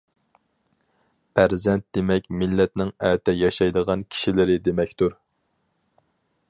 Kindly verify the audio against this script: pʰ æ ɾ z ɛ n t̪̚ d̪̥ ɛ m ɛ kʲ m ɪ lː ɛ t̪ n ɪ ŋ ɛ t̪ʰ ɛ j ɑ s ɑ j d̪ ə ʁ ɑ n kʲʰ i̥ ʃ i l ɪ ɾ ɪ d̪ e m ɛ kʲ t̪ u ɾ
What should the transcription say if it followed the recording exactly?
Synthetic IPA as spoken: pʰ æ ɾ z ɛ n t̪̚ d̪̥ e m ɛ kʲ m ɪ lː ɛ t̪ n ɪ ŋ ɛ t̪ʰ ɛ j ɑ ʃ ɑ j d̪ ə ʁ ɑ n kʲʰ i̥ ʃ i l ɪ ɾ ɪ d̪ e m ɛ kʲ t̪ u ɾ